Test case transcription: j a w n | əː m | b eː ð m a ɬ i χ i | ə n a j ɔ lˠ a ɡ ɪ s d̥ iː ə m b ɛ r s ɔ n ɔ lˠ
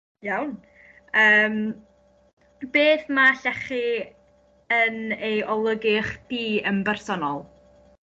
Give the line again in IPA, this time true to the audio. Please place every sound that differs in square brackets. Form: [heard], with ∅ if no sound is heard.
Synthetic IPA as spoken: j a w n | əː m | b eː [θ] m a ɬ [ɛ] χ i | ə n [e] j ɔ lˠ [ə] ɡ ɪ [χ] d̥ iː ə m b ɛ r s ɔ n ɔ lˠ